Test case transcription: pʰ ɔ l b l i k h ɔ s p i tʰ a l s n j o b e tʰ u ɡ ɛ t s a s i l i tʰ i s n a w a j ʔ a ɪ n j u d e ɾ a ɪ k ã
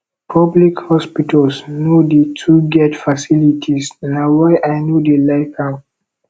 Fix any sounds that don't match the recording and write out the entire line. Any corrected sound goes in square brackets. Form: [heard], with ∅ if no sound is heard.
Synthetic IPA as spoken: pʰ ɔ [∅] b l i k h ɔ s p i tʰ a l s n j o [d] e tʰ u ɡ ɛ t [f] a s i l i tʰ i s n a w a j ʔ a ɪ n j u d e [l] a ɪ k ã